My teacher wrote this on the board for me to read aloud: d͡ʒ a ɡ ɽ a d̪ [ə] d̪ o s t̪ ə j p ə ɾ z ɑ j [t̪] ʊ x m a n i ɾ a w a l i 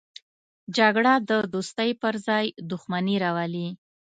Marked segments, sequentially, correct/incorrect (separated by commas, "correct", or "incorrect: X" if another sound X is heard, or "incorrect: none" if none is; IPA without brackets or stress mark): correct, incorrect: d̪